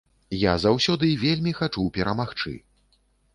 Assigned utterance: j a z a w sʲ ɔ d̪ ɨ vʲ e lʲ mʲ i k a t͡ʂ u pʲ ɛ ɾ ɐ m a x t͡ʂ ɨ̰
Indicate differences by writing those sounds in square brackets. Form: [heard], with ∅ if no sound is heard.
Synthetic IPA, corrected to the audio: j a z a w sʲ ɔ d̪ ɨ vʲ e lʲ mʲ i [x] a t͡ʂ u pʲ ɛ ɾ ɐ m a x t͡ʂ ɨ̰